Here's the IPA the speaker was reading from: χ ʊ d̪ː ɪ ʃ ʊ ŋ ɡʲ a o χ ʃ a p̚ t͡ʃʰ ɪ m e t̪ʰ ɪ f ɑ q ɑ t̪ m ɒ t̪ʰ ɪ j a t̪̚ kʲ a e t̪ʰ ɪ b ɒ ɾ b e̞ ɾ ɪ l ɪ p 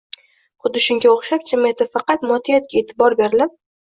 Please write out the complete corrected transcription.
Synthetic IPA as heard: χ ʊ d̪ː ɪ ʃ ʊ ŋ ɡʲ a o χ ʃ a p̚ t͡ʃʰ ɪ m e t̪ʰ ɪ f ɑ q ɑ t̪ m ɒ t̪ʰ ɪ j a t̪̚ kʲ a e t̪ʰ ɪ b ɒ ɾ b e̞ ɾ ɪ l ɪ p